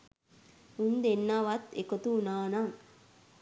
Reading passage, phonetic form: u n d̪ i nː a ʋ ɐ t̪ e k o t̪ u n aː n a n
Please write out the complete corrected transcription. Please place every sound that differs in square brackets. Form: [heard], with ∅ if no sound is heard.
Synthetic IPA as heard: u n d̪ [e] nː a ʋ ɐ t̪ e k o t̪ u n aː n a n